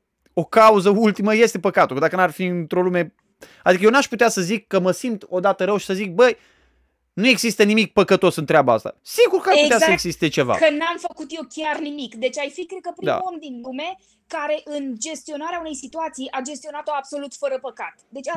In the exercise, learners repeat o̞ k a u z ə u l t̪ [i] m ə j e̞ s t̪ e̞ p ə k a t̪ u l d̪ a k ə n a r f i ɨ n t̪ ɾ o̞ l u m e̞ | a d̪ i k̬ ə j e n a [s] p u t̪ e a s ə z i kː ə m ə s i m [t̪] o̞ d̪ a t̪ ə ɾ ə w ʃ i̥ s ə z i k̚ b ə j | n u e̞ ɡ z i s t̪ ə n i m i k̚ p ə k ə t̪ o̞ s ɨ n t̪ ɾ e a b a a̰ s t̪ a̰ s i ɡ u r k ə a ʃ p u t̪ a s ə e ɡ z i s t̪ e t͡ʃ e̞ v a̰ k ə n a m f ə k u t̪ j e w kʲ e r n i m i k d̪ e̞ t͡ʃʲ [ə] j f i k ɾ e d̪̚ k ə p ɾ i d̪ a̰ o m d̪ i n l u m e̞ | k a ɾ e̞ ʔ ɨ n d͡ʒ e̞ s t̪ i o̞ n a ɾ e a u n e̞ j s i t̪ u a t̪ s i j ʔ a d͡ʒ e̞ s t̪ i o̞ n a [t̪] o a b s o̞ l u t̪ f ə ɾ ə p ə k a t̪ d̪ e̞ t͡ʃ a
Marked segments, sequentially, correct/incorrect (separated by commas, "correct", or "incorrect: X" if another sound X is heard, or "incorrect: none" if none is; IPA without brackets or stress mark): correct, incorrect: ʃ, correct, incorrect: a, correct